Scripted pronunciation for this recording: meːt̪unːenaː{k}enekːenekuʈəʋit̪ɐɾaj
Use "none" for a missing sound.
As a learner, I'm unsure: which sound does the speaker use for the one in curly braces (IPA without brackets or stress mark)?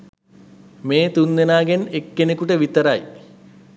ɡ